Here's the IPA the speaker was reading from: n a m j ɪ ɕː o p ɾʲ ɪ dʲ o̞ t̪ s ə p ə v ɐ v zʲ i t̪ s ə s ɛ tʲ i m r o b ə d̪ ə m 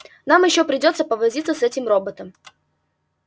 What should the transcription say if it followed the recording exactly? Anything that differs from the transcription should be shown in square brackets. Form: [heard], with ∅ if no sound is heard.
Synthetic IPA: n a m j ɪ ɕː o p ɾʲ ɪ dʲ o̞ t̪ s ə p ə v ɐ [∅] zʲ i t̪ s ə s ɛ tʲ [ɪ] m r o b ə [t̪] ə m